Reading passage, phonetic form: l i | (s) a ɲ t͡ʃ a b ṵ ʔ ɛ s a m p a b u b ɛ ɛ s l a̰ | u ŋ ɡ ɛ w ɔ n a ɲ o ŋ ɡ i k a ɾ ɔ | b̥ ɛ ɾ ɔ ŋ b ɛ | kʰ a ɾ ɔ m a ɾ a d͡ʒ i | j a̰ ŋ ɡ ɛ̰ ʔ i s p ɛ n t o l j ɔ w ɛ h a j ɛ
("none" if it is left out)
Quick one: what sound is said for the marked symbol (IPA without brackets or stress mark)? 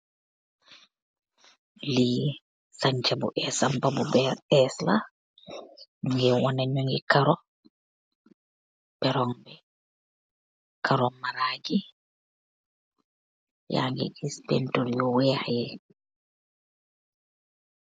s